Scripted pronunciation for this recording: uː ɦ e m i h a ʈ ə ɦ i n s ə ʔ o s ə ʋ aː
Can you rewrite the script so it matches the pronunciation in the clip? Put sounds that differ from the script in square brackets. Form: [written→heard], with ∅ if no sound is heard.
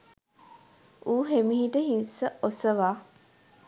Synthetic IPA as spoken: uː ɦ e m i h [a→i] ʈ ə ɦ i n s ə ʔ o s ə ʋ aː